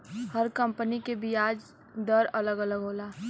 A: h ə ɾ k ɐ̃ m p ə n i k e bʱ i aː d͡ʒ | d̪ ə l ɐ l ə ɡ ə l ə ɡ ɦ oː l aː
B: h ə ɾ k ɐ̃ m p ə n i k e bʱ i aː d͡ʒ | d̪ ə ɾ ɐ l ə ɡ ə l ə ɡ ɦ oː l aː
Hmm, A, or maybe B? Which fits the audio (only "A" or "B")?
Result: B